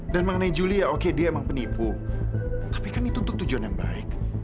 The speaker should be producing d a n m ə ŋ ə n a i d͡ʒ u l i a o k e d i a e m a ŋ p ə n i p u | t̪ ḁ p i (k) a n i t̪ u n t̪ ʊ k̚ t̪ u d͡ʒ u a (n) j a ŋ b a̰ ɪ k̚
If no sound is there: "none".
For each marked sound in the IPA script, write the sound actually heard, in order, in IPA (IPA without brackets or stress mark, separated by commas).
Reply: k, n